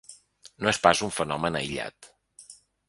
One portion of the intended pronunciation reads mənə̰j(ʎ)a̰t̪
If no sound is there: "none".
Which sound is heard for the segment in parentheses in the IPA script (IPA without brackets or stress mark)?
ʎ